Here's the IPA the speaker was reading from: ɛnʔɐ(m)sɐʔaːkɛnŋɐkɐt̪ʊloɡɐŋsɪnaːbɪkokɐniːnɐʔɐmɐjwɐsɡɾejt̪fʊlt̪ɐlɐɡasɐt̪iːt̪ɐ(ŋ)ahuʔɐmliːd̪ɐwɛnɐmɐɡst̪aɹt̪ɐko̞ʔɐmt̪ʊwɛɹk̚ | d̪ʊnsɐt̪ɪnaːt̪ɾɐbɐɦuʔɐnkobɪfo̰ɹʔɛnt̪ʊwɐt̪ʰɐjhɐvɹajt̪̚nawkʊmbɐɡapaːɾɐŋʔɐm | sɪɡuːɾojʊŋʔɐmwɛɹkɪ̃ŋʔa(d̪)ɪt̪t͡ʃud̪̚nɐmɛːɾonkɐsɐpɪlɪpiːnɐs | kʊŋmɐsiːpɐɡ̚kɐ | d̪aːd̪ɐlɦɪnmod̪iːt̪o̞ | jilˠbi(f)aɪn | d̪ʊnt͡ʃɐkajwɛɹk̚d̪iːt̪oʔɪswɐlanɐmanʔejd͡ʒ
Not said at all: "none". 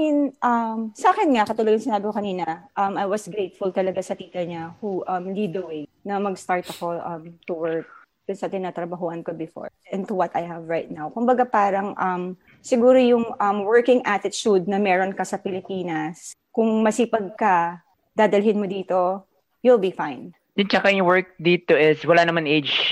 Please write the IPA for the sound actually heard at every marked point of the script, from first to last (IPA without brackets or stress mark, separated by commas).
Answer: m, ɲ, t̪, f